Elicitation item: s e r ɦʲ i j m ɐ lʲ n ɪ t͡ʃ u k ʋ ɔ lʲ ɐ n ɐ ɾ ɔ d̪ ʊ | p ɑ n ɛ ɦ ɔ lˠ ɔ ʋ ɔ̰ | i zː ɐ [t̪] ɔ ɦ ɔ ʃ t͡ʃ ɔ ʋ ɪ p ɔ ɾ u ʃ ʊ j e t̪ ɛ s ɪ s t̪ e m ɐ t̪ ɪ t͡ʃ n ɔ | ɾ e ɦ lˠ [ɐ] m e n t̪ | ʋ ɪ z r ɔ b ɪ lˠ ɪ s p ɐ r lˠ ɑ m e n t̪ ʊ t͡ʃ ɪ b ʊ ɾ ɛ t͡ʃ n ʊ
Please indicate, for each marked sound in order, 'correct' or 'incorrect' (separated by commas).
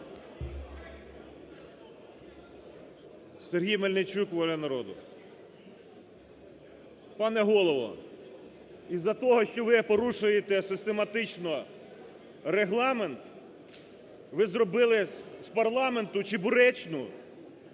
correct, incorrect